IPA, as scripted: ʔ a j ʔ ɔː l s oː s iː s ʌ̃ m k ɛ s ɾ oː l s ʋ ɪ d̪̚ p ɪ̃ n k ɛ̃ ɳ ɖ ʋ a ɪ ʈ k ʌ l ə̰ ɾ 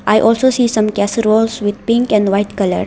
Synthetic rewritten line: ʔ a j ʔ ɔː l s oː s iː s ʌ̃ m k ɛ s ɾ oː l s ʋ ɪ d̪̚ p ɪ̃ ŋ k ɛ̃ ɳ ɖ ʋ a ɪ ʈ k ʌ l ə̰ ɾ